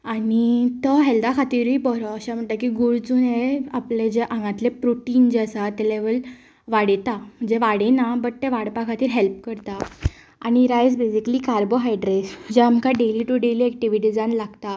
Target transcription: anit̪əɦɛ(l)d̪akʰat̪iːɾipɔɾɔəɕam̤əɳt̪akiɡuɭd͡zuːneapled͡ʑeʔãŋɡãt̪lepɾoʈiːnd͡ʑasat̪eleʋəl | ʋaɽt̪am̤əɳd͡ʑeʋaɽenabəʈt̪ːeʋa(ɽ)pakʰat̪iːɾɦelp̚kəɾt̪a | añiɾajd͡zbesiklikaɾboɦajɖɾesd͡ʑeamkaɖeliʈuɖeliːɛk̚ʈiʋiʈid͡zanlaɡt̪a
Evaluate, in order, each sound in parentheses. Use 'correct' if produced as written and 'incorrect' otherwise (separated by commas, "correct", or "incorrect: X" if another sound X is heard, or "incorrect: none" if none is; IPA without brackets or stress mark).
correct, correct